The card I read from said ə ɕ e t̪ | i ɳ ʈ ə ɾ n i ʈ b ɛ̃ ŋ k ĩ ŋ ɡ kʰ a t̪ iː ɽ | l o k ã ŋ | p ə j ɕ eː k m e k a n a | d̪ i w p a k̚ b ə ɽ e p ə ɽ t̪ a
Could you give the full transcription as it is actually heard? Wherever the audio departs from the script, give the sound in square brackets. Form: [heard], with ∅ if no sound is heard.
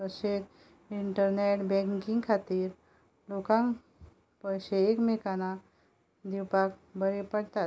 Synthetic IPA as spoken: ə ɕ e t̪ | i ɳ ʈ ə ɾ n [e] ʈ b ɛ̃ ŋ k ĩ ŋ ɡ kʰ a t̪ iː [ɾ] | l o k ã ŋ | p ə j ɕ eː k m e k a n a | d̪ i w p a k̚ b ə [ɾ] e p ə ɽ t̪ a